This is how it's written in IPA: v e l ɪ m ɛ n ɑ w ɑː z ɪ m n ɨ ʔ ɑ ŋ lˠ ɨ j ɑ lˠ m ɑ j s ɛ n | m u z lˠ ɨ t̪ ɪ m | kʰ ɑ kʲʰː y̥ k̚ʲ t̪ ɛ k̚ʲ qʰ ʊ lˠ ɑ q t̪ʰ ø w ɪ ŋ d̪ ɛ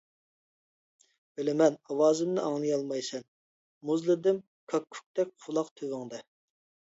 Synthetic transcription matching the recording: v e l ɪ m ɛ n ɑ w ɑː z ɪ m n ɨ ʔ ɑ ŋ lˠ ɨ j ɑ lˠ m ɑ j s ɛ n | m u z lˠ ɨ d̪ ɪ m | kʰ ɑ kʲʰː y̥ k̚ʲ t̪ ɛ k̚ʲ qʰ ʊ lˠ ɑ q t̪ʰ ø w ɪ ŋ d̪ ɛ